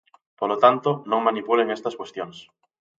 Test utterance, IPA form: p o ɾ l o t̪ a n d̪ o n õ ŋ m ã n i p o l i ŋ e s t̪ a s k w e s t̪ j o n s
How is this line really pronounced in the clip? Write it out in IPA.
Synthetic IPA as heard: p o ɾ l o t̪ a n t̪ o n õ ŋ m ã n i p u l e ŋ e s t̪ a s k w e s t̪ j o n s